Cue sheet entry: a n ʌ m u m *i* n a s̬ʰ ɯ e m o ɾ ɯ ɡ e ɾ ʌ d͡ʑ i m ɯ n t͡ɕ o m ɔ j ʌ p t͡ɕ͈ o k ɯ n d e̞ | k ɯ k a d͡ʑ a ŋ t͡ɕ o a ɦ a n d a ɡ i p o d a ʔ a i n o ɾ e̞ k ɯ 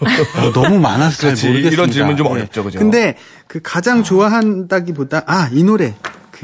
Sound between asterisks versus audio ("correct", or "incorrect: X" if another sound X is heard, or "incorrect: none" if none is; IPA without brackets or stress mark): incorrect: a